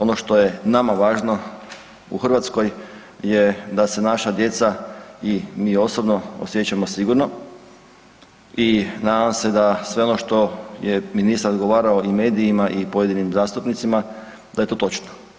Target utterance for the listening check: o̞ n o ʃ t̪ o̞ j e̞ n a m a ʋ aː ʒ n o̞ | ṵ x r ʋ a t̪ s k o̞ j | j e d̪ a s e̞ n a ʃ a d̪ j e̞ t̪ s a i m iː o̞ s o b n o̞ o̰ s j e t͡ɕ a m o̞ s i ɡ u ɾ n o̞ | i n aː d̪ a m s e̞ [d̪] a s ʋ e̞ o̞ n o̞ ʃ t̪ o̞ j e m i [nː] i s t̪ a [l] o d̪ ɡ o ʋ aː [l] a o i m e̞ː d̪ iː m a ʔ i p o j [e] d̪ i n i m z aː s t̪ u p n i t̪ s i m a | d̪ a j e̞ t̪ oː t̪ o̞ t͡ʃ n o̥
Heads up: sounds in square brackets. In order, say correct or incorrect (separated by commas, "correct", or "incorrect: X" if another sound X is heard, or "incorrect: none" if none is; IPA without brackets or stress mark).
correct, incorrect: n, incorrect: ɾ, incorrect: ɾ, correct